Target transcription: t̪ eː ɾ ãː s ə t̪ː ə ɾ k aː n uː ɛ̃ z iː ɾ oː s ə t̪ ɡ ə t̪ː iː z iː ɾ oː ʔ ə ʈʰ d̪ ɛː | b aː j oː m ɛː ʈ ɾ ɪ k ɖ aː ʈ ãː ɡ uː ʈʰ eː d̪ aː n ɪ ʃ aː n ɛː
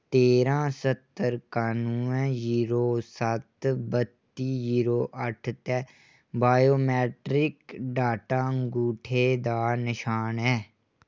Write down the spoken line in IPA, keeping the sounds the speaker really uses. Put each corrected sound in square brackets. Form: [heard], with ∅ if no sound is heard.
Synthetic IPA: t̪ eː ɾ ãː s ə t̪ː ə ɾ k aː n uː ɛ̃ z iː ɾ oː s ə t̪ [b] ə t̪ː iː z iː ɾ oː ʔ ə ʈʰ [t̪] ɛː | b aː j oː m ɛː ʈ ɾ ɪ k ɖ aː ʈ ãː ɡ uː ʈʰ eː d̪ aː n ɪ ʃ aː n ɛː